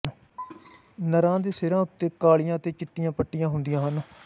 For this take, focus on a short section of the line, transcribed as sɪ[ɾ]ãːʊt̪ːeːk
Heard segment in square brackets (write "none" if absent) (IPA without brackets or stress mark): ɾ